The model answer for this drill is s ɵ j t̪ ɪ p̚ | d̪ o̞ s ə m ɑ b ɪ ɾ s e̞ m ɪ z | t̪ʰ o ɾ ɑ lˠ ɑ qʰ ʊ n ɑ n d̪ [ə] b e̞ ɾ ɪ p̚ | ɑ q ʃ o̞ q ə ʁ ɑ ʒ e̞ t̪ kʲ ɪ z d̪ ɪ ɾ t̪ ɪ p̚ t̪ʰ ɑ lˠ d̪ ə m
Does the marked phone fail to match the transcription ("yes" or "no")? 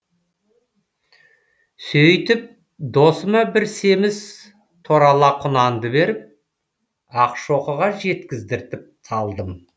no